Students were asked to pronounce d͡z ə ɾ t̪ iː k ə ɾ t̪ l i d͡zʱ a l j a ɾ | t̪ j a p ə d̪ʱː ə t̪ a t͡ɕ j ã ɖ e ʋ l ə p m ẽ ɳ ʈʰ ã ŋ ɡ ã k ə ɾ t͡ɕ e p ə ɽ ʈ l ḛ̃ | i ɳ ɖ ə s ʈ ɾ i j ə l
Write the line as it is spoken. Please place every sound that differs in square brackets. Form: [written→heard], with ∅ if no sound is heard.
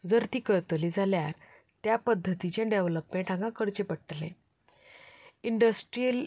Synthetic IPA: d͡z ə ɾ t̪ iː k ə ɾ t̪ l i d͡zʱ a l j a ɾ | t̪ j a p ə d̪ʱː ə t̪ [a→i] t͡ɕ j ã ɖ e ʋ l ə p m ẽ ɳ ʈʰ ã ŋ ɡ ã k ə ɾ t͡ɕ e p ə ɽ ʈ l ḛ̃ | i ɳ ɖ ə s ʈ ɾ i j ə l